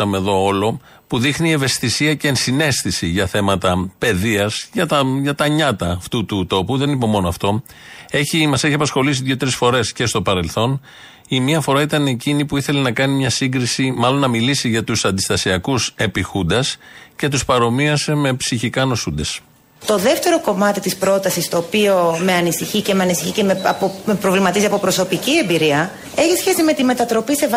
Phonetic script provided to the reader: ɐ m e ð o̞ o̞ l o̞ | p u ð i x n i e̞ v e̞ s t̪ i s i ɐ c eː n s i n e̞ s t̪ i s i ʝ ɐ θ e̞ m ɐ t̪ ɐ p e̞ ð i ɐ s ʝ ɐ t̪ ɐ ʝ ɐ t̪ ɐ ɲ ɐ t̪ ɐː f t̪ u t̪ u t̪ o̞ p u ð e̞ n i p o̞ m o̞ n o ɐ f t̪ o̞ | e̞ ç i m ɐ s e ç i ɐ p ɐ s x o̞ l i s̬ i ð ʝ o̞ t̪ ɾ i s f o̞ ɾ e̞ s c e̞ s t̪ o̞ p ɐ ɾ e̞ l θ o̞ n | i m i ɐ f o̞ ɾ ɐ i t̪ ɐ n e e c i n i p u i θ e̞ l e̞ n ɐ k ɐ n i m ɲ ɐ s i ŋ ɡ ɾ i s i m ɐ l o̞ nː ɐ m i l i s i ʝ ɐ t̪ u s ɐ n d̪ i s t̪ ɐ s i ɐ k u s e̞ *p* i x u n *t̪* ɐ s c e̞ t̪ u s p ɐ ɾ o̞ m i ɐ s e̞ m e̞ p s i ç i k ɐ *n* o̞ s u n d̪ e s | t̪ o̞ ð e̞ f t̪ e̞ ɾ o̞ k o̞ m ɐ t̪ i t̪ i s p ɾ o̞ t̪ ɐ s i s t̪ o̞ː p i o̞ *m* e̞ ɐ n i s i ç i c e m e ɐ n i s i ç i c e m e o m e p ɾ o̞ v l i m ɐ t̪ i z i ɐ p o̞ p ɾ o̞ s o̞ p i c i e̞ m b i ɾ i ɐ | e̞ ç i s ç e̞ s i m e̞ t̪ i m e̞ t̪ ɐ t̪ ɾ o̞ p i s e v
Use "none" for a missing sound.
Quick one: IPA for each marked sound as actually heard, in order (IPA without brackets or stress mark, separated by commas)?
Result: p, d̪, n, m